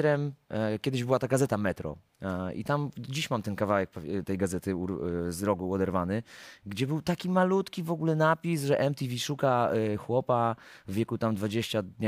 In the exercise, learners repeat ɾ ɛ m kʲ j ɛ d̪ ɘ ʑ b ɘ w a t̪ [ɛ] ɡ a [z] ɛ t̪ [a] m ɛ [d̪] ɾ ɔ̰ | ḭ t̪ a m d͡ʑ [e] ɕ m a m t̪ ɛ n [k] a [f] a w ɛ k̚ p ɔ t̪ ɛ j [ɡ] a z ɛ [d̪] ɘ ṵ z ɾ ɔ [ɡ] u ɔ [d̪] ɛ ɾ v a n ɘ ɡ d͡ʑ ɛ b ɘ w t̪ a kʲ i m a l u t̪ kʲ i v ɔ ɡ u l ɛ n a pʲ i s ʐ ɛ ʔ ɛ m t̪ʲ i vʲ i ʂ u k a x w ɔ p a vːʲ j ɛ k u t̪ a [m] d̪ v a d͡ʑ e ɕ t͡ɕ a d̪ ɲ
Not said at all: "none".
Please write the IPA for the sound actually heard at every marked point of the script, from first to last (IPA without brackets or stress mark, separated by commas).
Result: a, z, a, t̪, i, k, v, ɡ, t̪, ɡ, d̪, m